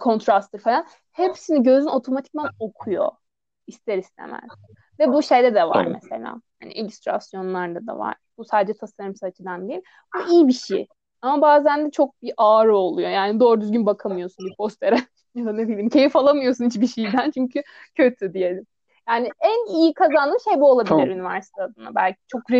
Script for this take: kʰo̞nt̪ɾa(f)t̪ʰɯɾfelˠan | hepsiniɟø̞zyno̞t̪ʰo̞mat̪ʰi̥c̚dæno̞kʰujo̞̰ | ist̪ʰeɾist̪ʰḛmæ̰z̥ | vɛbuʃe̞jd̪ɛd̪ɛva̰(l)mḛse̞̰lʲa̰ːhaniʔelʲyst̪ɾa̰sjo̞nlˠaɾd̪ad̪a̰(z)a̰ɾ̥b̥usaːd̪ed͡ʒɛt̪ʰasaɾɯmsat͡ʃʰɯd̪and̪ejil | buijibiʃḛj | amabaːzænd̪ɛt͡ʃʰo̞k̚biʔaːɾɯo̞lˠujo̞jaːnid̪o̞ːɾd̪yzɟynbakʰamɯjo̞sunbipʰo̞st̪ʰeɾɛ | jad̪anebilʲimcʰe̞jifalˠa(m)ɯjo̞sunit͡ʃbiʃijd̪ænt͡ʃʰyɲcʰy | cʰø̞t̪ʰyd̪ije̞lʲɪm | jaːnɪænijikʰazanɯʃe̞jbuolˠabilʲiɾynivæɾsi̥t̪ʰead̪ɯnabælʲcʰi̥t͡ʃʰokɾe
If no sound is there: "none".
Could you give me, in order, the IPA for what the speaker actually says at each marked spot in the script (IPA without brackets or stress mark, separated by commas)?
s, ɾ, v, m